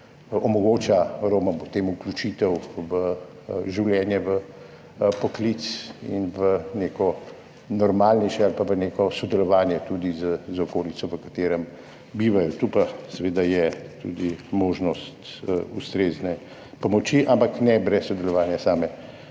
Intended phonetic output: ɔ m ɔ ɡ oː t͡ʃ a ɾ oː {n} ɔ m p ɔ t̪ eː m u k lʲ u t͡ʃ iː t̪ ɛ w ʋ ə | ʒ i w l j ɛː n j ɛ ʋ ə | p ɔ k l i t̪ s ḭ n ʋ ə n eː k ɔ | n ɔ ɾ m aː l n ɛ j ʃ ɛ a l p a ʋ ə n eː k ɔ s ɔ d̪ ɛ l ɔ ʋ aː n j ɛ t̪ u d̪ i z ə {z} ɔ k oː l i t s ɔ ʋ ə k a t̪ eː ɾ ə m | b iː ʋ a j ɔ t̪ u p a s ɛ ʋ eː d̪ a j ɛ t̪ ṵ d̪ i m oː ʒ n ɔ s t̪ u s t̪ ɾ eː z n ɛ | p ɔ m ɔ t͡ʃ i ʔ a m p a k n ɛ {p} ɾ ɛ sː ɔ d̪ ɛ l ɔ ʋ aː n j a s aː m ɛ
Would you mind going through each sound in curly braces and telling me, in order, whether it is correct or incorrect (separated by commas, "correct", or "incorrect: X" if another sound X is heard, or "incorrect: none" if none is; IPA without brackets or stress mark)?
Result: incorrect: m, correct, incorrect: b